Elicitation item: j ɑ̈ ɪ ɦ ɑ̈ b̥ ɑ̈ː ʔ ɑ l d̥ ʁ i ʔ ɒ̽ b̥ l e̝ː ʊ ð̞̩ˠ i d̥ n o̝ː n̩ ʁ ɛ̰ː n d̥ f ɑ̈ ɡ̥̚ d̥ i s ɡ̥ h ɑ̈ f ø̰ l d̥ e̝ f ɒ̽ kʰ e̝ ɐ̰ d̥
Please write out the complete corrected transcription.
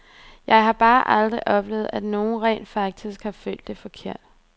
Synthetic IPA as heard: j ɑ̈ ɪ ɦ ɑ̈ b̥ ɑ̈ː ʔ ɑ l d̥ ʁ i ʔ ɒ̽ b̥ l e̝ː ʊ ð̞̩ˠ æ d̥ n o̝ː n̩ ʁ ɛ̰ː n d̥ f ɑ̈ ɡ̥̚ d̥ i s ɡ̥ h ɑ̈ f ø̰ l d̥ e̝ f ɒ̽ kʰ e̝ ɐ̰ d̥